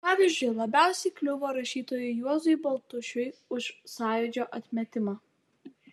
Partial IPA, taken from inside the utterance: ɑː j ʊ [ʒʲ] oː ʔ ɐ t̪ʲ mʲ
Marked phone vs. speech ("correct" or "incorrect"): incorrect